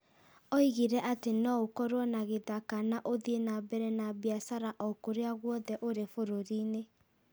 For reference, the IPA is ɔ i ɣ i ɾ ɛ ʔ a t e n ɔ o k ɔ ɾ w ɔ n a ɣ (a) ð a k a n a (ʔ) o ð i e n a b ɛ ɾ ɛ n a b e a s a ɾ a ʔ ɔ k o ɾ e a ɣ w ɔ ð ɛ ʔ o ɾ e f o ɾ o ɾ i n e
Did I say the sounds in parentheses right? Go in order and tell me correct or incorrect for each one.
incorrect, correct

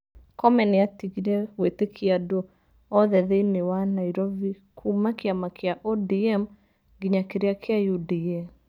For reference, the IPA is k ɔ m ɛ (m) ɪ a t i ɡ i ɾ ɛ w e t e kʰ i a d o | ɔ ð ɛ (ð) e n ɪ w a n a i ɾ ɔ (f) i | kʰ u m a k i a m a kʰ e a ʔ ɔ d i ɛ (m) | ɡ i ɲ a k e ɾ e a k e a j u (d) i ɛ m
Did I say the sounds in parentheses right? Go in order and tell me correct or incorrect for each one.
incorrect, correct, incorrect, correct, correct

